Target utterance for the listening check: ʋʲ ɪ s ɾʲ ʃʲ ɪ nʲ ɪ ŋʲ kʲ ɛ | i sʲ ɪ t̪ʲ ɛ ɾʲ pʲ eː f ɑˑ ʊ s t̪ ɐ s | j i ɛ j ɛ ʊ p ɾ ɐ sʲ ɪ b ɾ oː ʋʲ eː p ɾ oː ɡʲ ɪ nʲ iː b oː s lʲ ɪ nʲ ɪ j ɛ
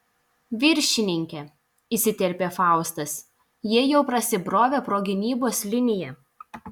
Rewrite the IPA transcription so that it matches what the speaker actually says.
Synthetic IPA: ʋʲ ɪ ɾʲ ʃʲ ɪ nʲ ɪ ŋʲ kʲ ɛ | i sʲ ɪ t̪ʲ ɛ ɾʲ pʲ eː f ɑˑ ʊ s t̪ ɐ s | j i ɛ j ɛ ʊ p ɾ ɐ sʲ ɪ b ɾ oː ʋʲ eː p ɾ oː ɡʲ ɪ nʲ iː b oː s lʲ ɪ nʲ ɪ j ɛ